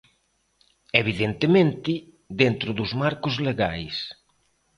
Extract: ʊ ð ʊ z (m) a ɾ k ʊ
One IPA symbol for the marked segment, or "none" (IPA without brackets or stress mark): m